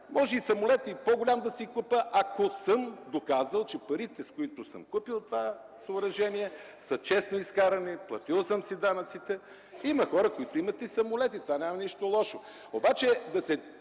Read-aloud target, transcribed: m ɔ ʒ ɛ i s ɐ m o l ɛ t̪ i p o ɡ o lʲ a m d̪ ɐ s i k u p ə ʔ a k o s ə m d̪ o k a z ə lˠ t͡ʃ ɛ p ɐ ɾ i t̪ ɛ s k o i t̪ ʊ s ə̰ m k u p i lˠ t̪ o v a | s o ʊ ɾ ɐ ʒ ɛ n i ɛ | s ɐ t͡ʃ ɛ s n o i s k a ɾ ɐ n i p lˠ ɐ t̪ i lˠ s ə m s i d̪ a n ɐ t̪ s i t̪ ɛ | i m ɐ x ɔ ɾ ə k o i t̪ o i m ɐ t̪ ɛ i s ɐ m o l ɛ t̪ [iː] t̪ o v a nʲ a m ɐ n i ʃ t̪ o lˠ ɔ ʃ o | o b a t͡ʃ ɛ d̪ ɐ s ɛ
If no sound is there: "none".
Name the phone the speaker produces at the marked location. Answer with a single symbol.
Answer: i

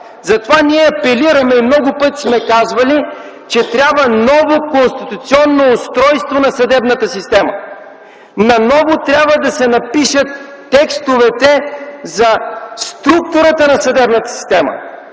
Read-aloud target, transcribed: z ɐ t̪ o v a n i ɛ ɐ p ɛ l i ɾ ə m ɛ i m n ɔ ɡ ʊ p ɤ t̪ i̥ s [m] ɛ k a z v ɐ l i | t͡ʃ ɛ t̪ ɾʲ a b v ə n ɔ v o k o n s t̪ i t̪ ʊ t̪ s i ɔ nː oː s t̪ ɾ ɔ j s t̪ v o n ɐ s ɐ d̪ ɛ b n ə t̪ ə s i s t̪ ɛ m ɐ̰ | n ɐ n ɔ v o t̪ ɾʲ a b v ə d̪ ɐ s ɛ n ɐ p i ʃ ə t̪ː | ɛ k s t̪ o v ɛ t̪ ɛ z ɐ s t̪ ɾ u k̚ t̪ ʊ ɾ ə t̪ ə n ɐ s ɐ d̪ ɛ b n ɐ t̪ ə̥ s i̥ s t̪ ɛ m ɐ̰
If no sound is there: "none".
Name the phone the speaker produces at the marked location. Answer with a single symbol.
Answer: m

